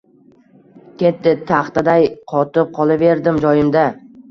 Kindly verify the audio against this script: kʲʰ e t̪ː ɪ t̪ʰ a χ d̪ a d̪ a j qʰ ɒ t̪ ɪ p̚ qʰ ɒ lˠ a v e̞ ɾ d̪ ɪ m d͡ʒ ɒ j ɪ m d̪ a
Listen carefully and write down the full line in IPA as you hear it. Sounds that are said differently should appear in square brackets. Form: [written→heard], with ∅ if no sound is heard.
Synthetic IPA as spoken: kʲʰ e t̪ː ɪ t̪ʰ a χ [d̪→t̪] a d̪ a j qʰ ɒ t̪ ɪ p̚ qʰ ɒ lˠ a v e̞ ɾ d̪ ɪ m d͡ʒ ɒ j ɪ m d̪ a